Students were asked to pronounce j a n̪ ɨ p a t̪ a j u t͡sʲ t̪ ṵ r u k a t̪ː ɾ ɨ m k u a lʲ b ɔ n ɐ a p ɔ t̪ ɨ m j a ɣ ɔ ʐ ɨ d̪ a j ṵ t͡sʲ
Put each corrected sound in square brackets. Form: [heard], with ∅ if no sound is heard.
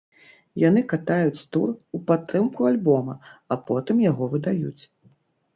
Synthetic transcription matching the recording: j a n̪ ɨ [k] a t̪ a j u t͡sʲ t̪ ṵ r u [p] a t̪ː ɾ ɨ m k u a lʲ b ɔ [m] ɐ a p ɔ t̪ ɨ m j a ɣ ɔ [v] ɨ d̪ a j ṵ t͡sʲ